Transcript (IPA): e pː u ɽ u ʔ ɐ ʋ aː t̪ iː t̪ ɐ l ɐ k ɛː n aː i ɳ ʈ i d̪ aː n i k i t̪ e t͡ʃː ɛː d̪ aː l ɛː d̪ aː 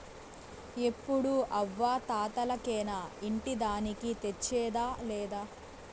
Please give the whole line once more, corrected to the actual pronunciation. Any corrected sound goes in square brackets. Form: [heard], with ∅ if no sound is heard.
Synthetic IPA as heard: e pː u ɽ u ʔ ɐ [ʋː] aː t̪ [aː] t̪ ɐ l ɐ k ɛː n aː i ɳ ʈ i d̪ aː n i k i t̪ e t͡ʃː ɛː d̪ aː l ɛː d̪ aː